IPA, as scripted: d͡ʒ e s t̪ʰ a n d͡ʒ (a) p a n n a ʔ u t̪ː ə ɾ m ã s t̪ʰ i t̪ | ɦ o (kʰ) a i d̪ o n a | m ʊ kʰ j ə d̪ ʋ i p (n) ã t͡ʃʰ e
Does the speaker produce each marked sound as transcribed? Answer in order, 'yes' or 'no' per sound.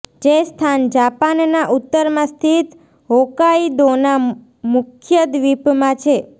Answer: yes, no, no

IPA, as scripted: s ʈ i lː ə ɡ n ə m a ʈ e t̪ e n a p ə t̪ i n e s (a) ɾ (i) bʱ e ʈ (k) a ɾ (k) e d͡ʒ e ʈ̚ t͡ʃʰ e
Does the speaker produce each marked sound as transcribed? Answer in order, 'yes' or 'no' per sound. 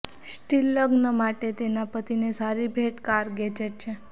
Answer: yes, yes, yes, no

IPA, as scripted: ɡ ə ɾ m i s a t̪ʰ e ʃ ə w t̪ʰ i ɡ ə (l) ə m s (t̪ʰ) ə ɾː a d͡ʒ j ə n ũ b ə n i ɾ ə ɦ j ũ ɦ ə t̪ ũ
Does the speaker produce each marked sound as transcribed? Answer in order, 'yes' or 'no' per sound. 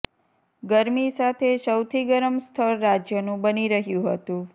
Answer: no, yes

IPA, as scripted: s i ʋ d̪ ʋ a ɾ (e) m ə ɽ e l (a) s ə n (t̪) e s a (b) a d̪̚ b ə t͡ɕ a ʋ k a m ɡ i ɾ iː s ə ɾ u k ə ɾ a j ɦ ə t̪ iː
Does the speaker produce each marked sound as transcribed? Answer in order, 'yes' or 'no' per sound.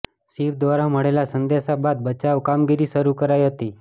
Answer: no, yes, no, yes

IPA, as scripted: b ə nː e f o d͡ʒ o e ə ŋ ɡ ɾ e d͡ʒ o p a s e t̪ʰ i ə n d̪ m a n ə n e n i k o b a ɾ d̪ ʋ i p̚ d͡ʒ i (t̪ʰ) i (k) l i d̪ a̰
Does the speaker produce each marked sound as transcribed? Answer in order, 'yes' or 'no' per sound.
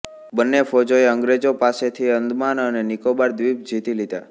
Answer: no, no

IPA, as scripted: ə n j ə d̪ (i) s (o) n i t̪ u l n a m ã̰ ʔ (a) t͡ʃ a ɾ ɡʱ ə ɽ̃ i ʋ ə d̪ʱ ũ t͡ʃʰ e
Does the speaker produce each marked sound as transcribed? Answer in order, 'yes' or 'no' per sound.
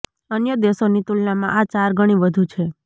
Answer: no, yes, yes

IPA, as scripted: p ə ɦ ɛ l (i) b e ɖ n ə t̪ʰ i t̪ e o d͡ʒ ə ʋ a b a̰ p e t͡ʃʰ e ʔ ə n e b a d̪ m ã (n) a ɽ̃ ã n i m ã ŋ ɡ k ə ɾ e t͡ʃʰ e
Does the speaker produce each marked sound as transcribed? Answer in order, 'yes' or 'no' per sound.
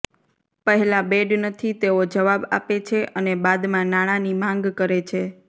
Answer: no, yes

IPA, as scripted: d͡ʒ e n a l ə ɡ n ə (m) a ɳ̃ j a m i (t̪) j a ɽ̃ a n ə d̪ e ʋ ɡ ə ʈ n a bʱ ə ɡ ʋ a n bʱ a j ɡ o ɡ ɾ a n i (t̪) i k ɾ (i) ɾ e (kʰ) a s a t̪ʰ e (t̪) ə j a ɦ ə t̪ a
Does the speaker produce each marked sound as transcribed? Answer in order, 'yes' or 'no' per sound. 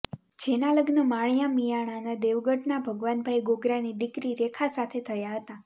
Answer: yes, no, no, yes, yes, no

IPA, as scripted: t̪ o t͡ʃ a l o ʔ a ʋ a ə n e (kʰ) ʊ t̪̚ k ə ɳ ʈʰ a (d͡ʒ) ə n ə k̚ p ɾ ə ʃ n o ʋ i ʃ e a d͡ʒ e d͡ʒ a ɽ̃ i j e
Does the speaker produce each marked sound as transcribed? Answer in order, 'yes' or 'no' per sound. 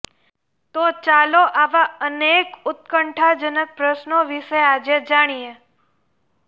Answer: no, yes

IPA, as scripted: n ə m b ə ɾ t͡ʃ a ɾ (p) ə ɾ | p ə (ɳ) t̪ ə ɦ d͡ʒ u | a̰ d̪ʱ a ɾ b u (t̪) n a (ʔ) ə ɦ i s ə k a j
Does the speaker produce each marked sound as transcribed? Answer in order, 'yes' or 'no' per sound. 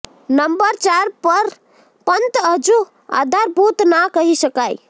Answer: yes, no, yes, no

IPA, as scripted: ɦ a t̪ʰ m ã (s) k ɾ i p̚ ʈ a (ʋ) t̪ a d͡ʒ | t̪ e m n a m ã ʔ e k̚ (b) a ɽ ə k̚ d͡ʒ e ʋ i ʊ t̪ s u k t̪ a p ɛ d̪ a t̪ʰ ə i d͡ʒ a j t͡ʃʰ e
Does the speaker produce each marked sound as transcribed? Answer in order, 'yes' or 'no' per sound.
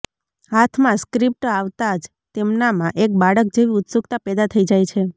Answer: yes, yes, yes

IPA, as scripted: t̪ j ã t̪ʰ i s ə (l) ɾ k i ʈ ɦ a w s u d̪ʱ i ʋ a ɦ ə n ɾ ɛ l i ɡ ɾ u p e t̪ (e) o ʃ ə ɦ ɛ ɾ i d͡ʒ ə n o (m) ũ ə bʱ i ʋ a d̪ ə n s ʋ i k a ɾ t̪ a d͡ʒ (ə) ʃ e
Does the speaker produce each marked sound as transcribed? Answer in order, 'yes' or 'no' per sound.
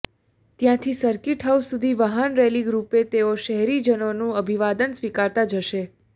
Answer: no, yes, no, yes

